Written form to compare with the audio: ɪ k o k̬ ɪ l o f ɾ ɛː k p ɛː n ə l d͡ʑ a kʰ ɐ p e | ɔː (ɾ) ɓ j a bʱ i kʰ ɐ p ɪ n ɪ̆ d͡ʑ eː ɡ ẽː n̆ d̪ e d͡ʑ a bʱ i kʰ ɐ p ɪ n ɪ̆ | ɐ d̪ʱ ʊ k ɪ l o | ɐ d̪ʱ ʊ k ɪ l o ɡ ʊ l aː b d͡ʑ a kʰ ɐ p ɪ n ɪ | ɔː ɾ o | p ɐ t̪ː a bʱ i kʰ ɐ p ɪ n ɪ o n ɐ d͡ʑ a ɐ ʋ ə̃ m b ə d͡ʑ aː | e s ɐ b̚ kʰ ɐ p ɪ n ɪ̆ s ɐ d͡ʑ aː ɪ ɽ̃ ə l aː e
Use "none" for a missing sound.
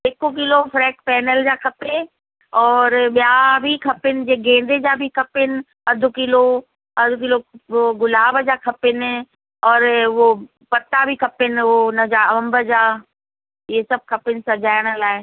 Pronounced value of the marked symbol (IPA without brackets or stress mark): ɾ